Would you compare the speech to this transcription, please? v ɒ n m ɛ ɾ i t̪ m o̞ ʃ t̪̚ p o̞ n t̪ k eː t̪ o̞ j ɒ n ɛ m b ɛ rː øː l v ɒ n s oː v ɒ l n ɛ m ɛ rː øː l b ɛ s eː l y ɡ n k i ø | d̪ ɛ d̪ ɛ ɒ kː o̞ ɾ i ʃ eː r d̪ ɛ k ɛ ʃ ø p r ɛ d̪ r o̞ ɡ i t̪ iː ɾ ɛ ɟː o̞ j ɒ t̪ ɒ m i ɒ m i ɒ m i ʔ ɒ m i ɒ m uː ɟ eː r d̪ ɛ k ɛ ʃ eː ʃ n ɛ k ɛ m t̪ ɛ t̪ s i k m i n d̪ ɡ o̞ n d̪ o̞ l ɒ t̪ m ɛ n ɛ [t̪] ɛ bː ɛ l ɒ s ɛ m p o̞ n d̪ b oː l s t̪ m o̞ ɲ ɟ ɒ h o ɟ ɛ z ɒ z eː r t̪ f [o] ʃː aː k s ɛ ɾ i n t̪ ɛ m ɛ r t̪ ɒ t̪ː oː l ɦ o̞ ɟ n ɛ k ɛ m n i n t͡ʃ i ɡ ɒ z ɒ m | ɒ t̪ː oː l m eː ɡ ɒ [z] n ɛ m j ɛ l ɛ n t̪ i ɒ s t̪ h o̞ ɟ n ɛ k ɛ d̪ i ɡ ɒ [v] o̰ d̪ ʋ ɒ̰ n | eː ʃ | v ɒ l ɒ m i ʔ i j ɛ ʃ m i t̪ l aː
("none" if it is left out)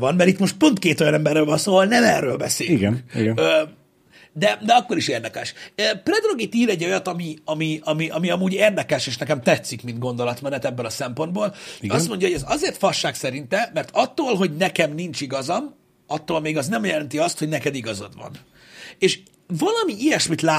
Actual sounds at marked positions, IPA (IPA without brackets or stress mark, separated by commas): t̪, ɒ, z, z